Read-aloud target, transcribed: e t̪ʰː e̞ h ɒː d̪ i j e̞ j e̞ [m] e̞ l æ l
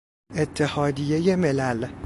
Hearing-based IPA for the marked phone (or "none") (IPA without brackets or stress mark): m